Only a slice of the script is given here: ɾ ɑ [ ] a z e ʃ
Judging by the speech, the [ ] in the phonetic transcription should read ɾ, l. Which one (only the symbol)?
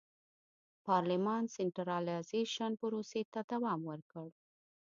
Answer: l